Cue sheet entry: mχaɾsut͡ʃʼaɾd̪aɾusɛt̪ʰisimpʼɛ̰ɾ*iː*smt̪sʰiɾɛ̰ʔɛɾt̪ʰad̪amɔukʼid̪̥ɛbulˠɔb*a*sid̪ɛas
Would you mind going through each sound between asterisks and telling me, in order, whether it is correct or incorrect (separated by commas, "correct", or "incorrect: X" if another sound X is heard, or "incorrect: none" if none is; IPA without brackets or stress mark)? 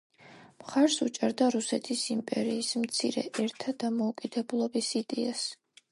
correct, incorrect: i